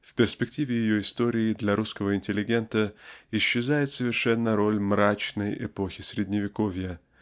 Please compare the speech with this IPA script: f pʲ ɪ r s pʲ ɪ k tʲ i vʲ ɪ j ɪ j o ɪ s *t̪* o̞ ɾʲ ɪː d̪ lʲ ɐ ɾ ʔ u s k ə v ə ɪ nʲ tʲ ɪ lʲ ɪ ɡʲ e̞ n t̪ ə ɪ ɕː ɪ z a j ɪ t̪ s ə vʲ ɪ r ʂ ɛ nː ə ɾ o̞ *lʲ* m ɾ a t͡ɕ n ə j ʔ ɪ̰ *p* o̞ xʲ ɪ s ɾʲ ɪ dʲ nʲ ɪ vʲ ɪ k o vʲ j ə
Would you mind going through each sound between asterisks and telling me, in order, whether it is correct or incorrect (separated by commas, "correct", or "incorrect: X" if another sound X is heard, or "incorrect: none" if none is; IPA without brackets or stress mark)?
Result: correct, correct, correct